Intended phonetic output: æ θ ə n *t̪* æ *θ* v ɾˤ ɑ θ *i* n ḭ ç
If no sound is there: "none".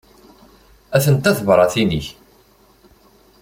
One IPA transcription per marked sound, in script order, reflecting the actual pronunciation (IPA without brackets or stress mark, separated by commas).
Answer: t̪, θ, i